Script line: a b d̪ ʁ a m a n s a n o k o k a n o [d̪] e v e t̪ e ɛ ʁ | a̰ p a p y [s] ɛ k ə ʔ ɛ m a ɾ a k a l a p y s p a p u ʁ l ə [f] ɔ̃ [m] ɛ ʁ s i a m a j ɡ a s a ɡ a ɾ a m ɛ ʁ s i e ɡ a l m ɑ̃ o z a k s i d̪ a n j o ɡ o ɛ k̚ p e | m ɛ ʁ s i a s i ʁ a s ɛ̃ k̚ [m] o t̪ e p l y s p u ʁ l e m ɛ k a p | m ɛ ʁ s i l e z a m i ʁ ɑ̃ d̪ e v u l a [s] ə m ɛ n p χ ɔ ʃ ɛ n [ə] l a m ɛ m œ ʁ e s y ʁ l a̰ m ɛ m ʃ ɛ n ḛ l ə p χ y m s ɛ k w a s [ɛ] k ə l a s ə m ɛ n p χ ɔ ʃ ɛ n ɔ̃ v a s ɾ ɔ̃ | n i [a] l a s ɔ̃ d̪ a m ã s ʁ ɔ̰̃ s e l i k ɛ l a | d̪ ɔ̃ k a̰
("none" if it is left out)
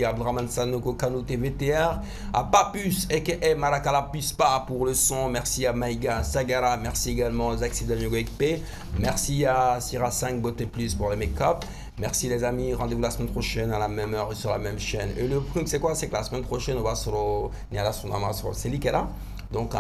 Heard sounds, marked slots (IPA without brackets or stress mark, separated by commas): t̪, s, s, m, b, s, a, ɛ, a